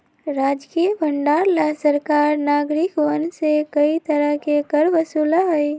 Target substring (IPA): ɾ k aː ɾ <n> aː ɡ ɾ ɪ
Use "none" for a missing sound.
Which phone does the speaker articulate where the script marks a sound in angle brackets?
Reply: n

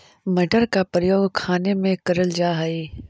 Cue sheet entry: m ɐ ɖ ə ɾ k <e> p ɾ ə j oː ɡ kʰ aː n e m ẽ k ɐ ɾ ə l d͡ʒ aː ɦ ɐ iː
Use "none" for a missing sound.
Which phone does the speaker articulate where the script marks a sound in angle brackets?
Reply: a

